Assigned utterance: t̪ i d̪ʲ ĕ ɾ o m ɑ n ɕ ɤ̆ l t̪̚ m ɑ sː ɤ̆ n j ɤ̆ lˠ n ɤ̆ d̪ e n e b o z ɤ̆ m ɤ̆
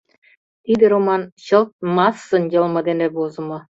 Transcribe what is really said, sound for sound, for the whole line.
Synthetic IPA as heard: t̪ i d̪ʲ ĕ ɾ o m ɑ n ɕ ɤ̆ l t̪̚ m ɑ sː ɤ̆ n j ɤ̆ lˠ m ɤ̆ d̪ e n e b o z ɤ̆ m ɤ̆